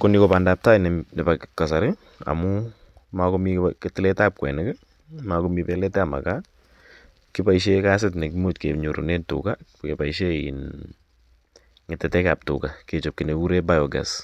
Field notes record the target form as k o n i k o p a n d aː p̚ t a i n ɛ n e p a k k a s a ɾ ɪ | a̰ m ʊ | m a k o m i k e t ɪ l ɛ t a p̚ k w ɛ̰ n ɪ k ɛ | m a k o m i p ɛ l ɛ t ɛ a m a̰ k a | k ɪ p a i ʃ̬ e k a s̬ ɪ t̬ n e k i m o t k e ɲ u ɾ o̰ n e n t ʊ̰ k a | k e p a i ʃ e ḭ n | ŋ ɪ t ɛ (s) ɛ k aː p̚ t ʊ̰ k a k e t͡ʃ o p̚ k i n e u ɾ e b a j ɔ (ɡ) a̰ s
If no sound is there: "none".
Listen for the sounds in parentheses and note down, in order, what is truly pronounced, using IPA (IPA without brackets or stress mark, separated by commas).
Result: t, ɡ